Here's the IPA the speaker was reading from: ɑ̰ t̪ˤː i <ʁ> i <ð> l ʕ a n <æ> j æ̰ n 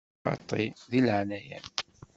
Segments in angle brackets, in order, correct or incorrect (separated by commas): incorrect, incorrect, correct